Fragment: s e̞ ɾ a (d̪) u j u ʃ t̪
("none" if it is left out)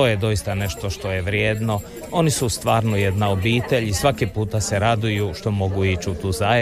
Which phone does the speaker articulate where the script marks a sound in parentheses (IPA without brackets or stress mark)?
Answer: d̪